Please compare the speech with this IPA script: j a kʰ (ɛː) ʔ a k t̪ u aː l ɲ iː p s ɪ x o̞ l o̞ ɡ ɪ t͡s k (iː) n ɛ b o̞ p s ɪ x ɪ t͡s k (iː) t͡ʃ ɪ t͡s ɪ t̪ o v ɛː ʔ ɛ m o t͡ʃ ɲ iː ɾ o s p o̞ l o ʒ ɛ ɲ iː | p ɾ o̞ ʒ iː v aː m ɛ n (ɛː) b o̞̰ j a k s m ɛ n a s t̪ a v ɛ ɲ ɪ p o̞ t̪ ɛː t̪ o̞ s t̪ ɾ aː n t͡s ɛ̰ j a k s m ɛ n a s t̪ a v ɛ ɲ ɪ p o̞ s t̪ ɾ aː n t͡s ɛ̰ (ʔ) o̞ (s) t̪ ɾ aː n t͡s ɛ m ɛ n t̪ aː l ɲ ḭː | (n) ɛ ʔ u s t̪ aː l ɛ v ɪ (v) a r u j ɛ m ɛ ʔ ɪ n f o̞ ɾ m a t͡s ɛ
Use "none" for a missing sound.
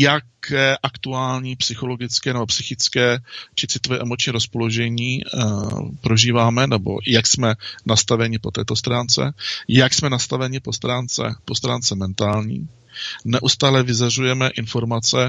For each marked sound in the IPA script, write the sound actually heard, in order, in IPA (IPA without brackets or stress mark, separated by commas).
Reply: ɛː, ɛː, ɛː, ɛ, p, s, n, z